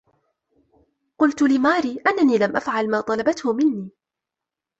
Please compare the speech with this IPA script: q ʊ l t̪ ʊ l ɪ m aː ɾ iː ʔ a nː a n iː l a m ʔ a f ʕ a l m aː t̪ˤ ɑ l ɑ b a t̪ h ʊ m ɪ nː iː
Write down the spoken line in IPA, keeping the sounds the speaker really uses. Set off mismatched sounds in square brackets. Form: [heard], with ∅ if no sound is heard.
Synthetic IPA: q ʊ l t̪ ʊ l ɪ m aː ɾ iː ʔ a nː a n iː l a m ʔ a f ʕ a l m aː t̪ˤ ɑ l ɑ b a t̪ h ʊ m ɪ nː iː